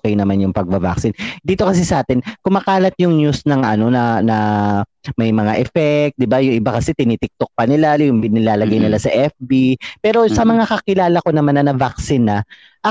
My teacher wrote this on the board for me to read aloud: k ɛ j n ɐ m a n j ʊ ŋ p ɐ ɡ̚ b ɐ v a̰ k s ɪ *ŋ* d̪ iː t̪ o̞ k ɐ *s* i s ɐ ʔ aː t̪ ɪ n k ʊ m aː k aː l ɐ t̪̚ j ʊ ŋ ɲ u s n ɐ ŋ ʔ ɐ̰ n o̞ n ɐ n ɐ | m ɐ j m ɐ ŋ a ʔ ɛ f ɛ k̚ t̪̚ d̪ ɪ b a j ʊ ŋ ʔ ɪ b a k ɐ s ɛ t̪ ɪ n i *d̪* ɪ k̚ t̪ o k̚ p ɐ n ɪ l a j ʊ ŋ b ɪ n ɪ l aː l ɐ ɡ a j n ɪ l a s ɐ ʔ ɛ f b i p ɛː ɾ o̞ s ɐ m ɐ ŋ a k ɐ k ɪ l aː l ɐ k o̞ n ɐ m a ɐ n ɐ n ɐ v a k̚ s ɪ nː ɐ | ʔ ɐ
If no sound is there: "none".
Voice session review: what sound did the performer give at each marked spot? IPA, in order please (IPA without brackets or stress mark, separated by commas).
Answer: n, s, t̪